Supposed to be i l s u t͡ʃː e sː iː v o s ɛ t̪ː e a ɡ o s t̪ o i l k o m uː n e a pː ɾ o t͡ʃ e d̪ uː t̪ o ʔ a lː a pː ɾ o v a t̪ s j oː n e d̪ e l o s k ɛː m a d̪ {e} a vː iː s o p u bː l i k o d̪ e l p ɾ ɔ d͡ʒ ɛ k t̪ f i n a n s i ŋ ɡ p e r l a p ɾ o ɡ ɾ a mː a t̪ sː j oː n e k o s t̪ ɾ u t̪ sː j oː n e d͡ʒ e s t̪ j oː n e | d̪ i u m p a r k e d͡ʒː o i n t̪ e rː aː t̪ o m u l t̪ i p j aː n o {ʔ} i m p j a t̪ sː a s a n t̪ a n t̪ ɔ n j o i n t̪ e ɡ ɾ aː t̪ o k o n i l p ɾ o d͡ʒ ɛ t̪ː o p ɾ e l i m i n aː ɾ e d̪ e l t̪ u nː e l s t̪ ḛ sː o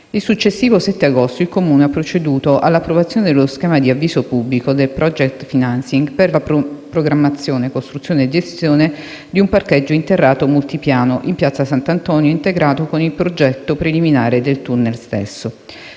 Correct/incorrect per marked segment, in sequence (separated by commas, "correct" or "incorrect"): incorrect, correct